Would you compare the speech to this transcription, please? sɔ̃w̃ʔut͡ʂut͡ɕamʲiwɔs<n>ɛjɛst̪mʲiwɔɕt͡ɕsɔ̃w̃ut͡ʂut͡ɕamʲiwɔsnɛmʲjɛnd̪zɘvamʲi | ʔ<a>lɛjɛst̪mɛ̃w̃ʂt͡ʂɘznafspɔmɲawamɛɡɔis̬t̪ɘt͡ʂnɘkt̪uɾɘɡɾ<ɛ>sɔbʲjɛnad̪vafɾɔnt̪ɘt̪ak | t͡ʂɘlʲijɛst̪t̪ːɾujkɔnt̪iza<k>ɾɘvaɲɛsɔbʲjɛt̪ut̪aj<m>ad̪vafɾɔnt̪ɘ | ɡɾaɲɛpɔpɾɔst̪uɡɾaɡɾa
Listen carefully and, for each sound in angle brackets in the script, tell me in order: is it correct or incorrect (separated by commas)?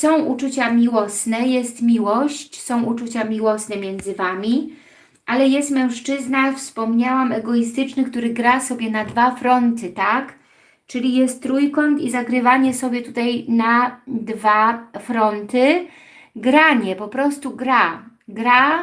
correct, correct, incorrect, incorrect, incorrect